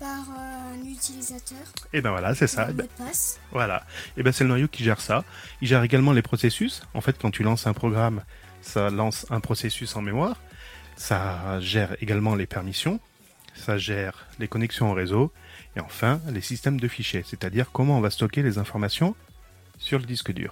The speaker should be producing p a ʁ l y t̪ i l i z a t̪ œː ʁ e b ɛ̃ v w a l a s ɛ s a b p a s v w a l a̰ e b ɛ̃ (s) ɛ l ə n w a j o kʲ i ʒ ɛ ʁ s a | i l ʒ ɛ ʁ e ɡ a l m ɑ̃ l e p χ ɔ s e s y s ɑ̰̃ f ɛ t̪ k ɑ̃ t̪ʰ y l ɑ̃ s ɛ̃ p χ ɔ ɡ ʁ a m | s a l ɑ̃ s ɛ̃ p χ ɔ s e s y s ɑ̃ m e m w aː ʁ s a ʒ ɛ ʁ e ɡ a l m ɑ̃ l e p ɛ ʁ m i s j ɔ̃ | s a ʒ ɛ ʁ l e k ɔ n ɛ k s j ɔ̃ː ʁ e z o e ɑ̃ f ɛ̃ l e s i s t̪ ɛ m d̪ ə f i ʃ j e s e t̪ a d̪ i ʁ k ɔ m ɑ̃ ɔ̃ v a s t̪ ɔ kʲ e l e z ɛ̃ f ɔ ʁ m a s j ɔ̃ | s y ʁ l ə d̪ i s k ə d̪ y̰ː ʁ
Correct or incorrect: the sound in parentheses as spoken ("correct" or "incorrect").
correct